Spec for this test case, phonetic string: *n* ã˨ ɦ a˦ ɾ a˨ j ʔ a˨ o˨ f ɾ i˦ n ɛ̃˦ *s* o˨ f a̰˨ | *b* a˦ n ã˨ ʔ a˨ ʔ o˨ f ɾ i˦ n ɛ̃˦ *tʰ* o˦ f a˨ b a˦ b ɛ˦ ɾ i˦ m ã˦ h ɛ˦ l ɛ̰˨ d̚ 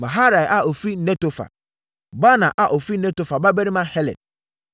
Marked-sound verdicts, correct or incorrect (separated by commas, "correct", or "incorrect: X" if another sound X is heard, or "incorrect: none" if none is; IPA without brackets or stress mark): incorrect: m, incorrect: t, correct, incorrect: t